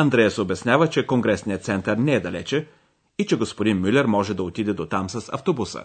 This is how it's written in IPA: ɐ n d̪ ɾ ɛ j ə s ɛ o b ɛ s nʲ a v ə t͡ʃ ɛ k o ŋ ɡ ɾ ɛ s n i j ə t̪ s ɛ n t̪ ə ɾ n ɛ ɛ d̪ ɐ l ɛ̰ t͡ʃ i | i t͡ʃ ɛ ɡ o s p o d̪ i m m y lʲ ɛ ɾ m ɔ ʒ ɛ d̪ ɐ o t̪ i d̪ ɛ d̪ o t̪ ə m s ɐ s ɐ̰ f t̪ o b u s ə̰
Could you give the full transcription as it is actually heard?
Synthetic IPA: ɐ n d̪ ɾ ɛ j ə s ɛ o b ɛ s nʲ a v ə t͡ʃ ɛ k o ŋ ɡ ɾ ɛ s n i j ə t̪ s ɛ n t̪ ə ɾ n ɛ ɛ d̪ ɐ l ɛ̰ t͡ʃ ɛ | i t͡ʃ ɛ ɡ o s p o d̪ i n m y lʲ ɛ ɾ m ɔ ʒ ɛ d̪ ɐ o t̪ i d̪ ɛ d̪ o t̪ a m s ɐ s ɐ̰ f t̪ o b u s ə̰